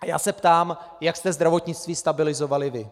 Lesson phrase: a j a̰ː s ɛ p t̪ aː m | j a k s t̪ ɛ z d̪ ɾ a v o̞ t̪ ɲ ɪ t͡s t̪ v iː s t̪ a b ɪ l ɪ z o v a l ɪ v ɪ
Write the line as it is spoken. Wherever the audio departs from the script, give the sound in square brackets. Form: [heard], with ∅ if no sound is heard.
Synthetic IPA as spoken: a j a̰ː s ɛ p t̪ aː m | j a k s t̪ ɛ z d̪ ɾ a v o̞ t̪ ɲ ɪ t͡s t̪ v iː s t̪ a b ɪ l ɪ z o v a l ɪ v ɪ